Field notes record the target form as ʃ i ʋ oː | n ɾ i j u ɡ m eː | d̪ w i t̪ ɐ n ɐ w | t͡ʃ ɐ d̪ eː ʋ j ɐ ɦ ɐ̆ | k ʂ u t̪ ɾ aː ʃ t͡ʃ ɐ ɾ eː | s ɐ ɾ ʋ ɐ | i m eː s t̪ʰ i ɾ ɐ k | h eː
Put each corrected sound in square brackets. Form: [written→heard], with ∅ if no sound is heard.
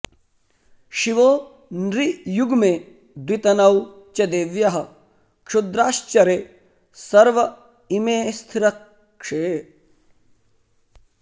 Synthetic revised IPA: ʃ i ʋ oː | n ɾ i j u ɡ m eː | d̪ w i t̪ ɐ n ɐ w | t͡ʃ ɐ d̪ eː ʋ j ɐ ɦ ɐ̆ | k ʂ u [t̪→d̪] ɾ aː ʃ t͡ʃ ɐ ɾ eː | s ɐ ɾ ʋ ɐ | i m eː s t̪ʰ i ɾ ɐ k | [h→ʂ] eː